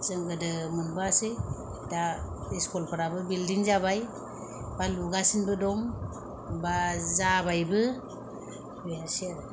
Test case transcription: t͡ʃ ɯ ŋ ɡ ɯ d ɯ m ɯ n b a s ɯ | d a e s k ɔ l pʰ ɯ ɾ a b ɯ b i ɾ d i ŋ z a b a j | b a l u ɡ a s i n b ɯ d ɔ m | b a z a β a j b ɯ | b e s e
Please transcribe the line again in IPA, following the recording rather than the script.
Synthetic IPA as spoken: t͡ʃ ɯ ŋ ɡ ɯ d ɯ m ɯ n b a s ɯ | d a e s k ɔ l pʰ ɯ ɾ a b ɯ b i l d i ŋ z a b a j | b a l u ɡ a s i n b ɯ d ɔ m | b a z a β a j b ɯ | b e s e